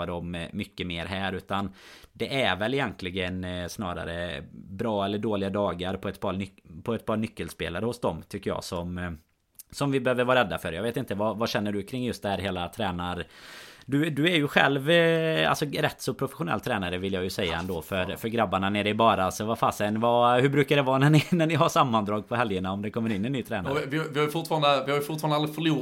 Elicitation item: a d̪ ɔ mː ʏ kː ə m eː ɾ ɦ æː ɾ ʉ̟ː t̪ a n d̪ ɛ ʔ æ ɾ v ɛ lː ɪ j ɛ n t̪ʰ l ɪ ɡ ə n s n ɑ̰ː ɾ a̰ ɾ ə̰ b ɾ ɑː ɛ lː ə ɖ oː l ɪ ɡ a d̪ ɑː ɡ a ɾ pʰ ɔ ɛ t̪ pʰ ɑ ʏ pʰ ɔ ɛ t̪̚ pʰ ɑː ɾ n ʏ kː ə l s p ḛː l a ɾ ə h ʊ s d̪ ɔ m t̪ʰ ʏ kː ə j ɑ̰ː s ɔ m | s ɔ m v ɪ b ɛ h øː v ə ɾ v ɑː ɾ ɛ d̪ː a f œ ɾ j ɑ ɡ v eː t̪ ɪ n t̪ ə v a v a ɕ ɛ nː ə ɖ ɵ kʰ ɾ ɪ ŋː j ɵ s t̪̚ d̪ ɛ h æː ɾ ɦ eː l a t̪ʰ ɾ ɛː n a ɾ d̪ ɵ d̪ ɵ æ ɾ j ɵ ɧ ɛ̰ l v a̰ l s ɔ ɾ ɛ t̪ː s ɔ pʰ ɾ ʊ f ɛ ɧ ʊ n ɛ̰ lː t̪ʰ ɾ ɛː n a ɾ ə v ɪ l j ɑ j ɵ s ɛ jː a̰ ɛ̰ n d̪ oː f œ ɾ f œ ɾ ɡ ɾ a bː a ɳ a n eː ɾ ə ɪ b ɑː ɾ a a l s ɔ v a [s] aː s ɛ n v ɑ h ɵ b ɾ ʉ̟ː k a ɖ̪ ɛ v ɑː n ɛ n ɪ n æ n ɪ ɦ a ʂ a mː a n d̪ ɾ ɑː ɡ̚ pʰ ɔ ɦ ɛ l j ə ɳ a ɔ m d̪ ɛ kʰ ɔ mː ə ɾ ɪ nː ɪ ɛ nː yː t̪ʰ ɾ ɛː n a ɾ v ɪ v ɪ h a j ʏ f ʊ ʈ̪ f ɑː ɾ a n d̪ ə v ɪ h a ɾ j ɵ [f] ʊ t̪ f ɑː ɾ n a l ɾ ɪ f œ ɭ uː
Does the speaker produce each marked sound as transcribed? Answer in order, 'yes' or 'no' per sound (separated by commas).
no, yes